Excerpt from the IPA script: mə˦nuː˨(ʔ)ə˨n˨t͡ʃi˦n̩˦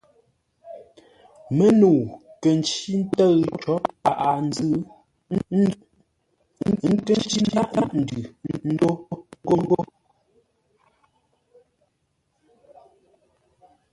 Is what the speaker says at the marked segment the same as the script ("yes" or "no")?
no